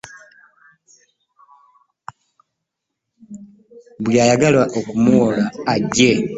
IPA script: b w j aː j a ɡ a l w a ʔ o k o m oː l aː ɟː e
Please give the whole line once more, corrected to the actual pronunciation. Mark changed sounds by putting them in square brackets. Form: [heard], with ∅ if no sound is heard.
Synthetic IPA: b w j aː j a ɡ a l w a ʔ o k [u] m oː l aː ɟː e